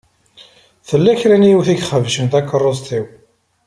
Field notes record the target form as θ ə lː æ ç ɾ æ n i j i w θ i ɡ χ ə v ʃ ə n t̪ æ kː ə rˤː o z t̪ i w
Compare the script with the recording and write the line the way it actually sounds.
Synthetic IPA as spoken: θ ə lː æ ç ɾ æ n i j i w θ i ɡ χ ə v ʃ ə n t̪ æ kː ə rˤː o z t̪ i w

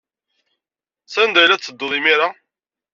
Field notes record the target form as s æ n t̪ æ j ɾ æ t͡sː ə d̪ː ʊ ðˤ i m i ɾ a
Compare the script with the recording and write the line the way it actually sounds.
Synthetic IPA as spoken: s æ n d̪ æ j l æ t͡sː ə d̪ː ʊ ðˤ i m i ɾ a

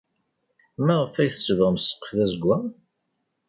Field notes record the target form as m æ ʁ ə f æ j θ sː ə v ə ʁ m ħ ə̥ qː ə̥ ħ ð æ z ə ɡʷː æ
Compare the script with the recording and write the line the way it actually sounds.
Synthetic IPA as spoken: m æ ʁ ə f æ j θ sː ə v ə ʁ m s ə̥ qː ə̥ f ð æ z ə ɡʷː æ

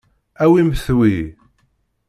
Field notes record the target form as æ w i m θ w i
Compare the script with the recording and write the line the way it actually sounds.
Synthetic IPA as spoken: æ w i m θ w i

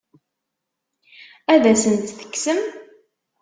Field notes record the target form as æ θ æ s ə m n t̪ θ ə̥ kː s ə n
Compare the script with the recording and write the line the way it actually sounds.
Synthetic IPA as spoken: æ ð æ s ə n t̪ θ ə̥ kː s ə m

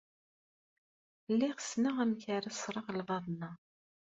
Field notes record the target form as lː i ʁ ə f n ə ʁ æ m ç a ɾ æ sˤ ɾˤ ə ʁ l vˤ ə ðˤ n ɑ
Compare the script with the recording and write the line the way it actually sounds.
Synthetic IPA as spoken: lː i ʁ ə s n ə ʁ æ m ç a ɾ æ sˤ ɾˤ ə ʁ l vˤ ɑ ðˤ n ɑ

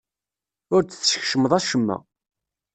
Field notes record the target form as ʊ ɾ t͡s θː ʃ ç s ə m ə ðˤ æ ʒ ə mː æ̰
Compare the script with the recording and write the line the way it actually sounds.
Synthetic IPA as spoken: ʊ ɾ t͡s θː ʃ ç ʃ ə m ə ðˤ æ ʃ ə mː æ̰

